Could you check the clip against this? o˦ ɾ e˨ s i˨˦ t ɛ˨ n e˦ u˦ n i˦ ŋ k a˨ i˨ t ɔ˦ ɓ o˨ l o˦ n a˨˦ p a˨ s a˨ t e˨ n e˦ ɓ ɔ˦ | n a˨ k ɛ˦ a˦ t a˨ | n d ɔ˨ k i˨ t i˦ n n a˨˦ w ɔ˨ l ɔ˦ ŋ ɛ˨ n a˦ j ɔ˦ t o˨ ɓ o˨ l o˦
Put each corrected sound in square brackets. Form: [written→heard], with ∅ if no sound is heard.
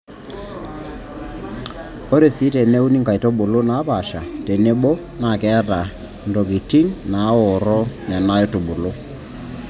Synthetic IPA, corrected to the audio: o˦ ɾ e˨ s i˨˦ t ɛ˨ n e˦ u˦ n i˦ ŋ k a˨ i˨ t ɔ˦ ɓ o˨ l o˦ n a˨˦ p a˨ [s→ʃ] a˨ t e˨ n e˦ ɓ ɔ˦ | n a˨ k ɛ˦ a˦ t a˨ | n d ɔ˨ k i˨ t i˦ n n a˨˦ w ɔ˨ [l→ɾ] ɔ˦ [ŋ→n] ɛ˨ n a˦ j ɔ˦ t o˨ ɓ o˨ l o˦